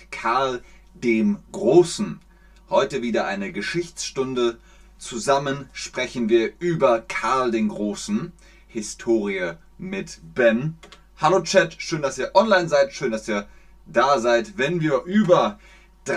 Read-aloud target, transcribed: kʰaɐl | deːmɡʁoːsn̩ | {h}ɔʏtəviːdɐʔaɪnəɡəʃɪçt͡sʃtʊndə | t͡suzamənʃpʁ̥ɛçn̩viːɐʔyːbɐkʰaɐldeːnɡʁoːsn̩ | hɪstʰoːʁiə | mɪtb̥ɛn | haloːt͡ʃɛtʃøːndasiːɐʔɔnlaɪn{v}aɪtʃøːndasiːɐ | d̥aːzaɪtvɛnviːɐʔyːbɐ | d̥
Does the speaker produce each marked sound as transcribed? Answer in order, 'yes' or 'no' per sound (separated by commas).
yes, no